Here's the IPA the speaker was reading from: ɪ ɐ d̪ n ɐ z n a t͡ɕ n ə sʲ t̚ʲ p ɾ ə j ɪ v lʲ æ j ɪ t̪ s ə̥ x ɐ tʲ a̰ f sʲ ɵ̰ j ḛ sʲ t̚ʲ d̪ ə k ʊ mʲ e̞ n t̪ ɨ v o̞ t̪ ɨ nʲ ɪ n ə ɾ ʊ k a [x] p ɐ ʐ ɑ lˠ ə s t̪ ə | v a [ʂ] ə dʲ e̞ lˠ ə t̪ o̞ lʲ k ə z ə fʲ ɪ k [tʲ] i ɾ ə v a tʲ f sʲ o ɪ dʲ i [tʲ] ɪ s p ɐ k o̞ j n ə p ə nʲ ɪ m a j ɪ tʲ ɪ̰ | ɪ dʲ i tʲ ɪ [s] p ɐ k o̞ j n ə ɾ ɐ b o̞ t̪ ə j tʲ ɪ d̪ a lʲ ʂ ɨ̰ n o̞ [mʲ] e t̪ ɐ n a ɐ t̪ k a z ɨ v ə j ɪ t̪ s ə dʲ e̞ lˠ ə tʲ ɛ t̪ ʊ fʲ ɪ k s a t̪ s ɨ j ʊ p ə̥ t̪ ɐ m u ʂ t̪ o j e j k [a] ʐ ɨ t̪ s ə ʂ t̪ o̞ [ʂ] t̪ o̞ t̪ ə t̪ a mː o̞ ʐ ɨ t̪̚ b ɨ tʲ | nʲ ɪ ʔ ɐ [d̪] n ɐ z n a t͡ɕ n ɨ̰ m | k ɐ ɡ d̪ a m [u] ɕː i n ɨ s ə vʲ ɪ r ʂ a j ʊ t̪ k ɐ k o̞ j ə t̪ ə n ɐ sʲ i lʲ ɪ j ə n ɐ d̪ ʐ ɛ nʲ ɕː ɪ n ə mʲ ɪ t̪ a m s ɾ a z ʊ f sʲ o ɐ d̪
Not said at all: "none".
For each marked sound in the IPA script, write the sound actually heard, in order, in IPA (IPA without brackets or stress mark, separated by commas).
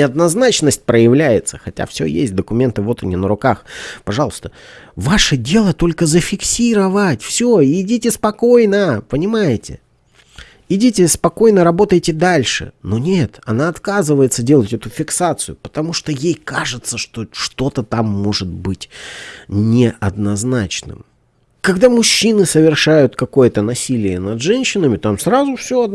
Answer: x, ʂ, sʲ, tʲ, s, nʲ, a, ʂ, d̪, ʊ